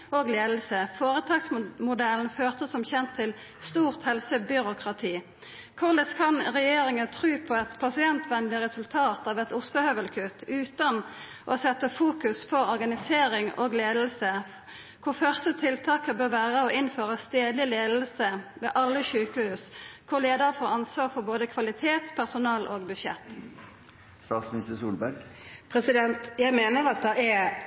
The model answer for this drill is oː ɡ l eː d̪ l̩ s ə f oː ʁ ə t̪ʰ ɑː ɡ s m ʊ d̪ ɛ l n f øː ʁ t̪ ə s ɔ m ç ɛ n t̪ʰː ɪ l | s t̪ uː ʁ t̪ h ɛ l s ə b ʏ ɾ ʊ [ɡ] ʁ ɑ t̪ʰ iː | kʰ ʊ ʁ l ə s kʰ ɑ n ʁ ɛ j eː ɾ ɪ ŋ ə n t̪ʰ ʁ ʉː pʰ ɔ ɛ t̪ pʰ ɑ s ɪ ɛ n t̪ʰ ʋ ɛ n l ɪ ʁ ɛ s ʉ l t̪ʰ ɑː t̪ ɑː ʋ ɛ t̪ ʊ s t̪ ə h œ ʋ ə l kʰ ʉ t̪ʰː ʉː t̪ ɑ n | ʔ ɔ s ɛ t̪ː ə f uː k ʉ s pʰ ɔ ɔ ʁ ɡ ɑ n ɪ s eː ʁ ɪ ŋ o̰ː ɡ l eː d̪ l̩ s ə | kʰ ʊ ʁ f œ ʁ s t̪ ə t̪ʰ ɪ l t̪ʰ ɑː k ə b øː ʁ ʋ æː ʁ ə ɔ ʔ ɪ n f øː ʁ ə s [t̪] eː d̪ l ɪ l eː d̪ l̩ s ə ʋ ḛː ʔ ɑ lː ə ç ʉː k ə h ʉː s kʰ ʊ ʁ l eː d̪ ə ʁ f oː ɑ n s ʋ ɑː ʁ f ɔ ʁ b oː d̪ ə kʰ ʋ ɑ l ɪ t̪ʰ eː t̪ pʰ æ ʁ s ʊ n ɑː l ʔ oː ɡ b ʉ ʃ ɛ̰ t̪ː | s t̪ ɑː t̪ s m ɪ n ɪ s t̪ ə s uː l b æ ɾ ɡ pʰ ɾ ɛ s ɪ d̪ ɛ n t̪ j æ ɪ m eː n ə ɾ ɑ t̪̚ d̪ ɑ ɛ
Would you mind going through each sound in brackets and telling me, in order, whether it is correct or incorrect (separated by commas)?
incorrect, correct